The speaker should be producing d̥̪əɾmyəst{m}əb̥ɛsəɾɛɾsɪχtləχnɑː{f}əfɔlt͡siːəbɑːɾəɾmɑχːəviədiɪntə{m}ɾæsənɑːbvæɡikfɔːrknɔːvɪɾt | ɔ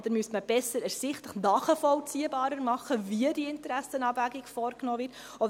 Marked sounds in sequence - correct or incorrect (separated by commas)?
correct, incorrect, incorrect